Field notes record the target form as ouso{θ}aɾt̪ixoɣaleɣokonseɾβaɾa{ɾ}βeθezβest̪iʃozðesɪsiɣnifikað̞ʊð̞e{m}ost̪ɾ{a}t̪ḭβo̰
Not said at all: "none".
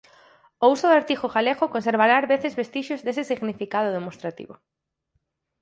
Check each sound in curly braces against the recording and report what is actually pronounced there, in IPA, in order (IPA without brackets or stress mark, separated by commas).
ð, ɾ, m, a